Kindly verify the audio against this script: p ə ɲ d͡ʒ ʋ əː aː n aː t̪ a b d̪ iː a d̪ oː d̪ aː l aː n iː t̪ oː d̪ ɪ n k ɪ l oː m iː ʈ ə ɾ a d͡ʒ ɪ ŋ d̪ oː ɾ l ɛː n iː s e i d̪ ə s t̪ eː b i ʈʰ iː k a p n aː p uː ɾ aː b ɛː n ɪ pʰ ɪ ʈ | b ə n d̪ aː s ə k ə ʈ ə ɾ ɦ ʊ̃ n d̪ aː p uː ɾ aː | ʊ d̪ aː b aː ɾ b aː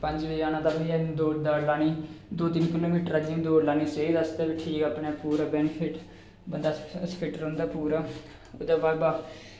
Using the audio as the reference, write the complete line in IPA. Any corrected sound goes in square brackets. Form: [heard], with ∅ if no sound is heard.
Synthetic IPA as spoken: p ə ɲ d͡ʒ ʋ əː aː n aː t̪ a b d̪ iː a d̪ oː d̪ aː l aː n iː [d̪] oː [t̪] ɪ n k ɪ l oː m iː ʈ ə ɾ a d͡ʒ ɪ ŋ d̪ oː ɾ l [aː] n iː s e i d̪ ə s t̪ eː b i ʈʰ iː k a p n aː p uː ɾ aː b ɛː n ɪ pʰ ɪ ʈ | b ə n d̪ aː s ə k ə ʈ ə ɾ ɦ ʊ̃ n d̪ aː p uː ɾ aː | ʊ d̪ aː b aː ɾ b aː